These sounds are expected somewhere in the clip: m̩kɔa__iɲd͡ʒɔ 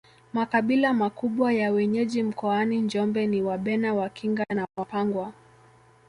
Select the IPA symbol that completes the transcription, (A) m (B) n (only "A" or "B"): B